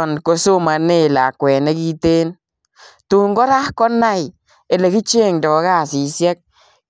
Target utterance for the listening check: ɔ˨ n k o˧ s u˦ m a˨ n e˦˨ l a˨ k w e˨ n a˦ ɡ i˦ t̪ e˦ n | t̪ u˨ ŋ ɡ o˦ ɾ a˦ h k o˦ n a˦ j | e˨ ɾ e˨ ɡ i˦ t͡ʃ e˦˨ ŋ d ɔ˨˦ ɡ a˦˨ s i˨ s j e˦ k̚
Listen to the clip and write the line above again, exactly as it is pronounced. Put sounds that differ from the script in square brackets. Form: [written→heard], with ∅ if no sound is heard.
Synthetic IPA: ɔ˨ n k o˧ s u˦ m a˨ n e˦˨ l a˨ k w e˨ n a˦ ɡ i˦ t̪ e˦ n | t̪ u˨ ŋ ɡ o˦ ɾ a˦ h k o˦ n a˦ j | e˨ [ɾ→l] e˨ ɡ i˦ t͡ʃ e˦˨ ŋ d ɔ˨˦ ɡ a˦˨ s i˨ s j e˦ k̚